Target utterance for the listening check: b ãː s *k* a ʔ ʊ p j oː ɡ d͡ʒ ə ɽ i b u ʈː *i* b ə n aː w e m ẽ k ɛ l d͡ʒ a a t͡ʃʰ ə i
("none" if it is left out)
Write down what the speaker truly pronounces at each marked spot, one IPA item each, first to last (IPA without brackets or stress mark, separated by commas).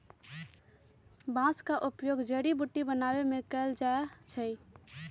k, i